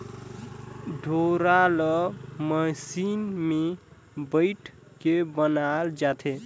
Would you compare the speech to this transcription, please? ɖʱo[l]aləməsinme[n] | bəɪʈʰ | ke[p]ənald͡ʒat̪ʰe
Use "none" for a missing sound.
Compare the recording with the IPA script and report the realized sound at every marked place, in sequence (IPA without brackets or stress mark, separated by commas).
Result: ɾ, none, b